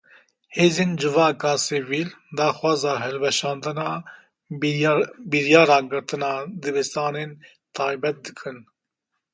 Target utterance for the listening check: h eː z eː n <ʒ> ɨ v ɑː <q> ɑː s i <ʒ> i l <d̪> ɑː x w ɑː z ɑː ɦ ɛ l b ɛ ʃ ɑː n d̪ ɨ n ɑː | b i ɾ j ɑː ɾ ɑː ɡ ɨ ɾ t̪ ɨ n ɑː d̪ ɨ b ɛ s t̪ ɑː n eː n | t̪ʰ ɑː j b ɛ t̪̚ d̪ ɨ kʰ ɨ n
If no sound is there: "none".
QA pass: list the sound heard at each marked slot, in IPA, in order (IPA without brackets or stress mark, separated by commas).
d͡ʒ, k, v, d̪